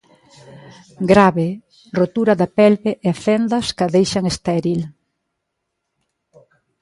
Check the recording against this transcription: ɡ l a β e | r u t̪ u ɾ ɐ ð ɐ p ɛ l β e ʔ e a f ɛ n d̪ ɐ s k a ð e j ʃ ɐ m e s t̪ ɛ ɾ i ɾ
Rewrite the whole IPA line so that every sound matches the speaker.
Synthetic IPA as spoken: ɡ ɾ a β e | r o t̪ u ɾ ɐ ð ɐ p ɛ l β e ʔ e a f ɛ n d̪ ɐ s k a ð e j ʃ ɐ ŋ e s t̪ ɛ ɾ i l